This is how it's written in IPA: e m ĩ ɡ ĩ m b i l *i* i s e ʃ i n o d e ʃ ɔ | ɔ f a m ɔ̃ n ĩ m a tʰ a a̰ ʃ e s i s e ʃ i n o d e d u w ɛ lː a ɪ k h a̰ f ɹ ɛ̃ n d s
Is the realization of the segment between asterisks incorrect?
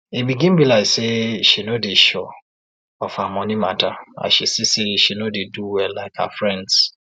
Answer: yes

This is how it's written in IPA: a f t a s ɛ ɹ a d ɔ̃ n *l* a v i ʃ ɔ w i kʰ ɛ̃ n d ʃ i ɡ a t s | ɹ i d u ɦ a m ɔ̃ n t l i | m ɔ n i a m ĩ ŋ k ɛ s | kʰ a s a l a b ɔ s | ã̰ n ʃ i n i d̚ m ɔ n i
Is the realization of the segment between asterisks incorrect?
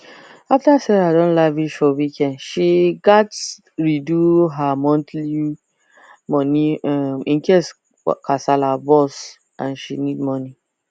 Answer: no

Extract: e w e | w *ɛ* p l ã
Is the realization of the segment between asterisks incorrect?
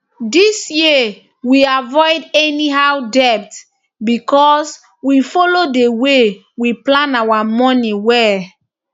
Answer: yes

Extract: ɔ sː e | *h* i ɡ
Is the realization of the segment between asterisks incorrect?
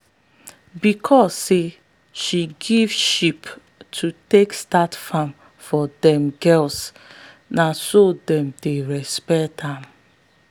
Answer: yes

